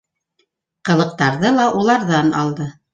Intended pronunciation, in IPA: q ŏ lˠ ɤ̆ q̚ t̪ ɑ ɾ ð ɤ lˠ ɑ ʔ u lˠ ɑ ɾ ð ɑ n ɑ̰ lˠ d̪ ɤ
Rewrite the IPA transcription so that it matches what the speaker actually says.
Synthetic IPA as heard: q ɤ̆ lˠ ɤ̆ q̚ t̪ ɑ ɾ ð ɤ lˠ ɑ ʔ u lˠ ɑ ɾ ð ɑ n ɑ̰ lˠ d̪ ɤ

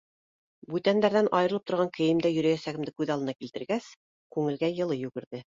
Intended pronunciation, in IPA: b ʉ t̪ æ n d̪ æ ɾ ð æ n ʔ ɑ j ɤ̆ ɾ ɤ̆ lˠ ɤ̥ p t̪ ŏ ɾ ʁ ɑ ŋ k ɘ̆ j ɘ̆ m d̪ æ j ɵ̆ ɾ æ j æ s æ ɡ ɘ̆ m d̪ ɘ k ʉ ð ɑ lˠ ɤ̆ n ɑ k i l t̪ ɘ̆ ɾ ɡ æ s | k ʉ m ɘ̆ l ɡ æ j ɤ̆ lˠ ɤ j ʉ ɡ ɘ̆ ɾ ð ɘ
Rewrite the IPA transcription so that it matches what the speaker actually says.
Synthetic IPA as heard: b ʉ t̪ æ n d̪ æ ɾ ð æ n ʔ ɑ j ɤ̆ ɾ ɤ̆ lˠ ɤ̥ p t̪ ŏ ɾ ʁ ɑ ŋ k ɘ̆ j ɘ̆ m d̪ æ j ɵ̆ ɾ æ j æ s æ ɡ ɘ̆ m d̪ ɘ k ʉ ð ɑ lˠ ɤ̆ n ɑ k i l t̪ ɘ̆ ɾ ɡ æ s | k ʉ ŋ ɘ̆ l ɡ æ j ɤ̆ lˠ ɤ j ʉ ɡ ɘ̆ ɾ ð ɘ

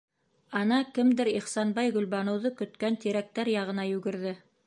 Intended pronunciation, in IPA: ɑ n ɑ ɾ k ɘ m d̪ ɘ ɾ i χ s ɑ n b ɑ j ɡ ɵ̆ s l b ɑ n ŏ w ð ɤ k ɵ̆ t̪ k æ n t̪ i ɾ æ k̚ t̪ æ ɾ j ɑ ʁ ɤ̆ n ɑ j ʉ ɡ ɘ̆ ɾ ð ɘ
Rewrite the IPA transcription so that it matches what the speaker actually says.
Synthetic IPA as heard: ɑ n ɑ k ɘ m d̪ ɘ ɾ i χ s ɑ n b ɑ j ɡ ɵ̆ l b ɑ n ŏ w ð ɤ k ɵ̆ t̪ k æ n t̪ i ɾ æ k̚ t̪ æ ɾ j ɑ ʁ ɤ̆ n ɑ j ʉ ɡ ɘ̆ ɾ ð ɘ

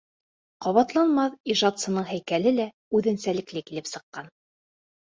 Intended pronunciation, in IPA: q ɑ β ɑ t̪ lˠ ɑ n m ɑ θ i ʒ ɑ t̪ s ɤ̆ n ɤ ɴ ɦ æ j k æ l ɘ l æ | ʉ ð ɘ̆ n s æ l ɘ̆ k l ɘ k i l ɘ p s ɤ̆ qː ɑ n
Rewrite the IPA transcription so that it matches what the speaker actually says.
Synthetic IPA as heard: q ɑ β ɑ t̪ lˠ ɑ n m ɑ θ i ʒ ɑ t̪ s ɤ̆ n ɤ ɴ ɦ æ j k æ l ɘ l æ | ʉ ð ɘ̆ n s æ l ɘ̆ k l ɘ k i l ɘ p s ɤ̆ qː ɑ n

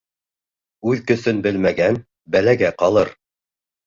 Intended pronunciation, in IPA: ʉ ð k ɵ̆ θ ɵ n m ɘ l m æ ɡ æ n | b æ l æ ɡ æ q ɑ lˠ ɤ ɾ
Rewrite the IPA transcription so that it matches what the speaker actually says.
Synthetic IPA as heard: ʉ ð k ɵ̆ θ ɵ n b ɘ l m æ ɡ æ n | b æ l æ ɡ æ q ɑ lˠ ɤ ɾ

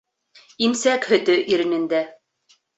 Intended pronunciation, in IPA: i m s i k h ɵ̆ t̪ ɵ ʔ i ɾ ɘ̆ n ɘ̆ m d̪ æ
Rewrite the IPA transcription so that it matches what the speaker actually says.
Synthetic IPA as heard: i m s æ k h ɵ̆ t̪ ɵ ʔ i ɾ ɘ̆ n ɘ̆ n d̪ æ

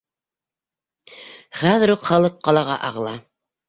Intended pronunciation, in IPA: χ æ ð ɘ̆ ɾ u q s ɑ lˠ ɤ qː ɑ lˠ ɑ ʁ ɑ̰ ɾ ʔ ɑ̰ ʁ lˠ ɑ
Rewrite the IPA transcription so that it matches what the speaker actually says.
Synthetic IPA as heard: χ æ ð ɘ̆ ɾ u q χ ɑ lˠ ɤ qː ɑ lˠ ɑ ʁ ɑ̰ ʔ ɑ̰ ʁ lˠ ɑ

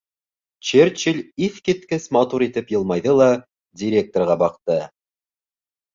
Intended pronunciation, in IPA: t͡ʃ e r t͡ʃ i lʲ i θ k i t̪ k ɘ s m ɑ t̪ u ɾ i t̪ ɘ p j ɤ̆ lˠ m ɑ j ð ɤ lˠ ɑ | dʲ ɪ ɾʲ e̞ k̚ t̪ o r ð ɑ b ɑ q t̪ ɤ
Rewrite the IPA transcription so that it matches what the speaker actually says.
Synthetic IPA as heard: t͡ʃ e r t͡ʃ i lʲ i θ k i t̪ k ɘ s m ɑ t̪ u ɾ i t̪ ɘ p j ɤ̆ lˠ m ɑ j ð ɤ lˠ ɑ | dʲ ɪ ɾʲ e̞ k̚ t̪ o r ʁ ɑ b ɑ q t̪ ɤ

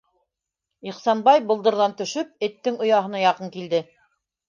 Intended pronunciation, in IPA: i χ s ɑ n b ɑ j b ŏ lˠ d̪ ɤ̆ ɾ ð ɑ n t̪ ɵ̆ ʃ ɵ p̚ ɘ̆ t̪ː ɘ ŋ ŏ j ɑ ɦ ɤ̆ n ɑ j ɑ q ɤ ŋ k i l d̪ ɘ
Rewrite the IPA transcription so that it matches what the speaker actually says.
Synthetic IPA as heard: i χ s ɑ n b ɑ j b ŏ lˠ d̪ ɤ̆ ɾ ð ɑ n t̪ ɵ̆ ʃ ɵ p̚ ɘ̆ t̪ː ɘ ŋ ŏ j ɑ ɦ ɤ̆ n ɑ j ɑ q ɤ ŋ k i l d̪ ɘ

